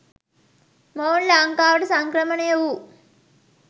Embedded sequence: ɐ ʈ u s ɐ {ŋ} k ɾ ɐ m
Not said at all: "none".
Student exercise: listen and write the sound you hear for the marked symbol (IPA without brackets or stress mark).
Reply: ŋ